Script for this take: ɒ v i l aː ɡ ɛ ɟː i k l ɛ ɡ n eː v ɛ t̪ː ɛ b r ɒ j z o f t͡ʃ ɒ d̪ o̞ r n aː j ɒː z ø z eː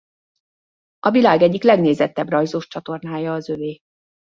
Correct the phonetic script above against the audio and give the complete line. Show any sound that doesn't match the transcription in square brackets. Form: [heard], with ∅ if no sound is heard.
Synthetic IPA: ɒ v i l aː ɡ ɛ ɟː i k l ɛ ɡ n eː [z] ɛ t̪ː ɛ b r ɒ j z o [ʃ] t͡ʃ ɒ [t̪] o̞ r n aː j ɒː z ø [v] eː